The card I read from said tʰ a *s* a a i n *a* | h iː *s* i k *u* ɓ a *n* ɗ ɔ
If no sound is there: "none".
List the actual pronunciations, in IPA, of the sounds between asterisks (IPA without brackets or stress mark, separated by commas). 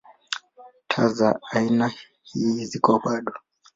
z, a, z, ɔ, none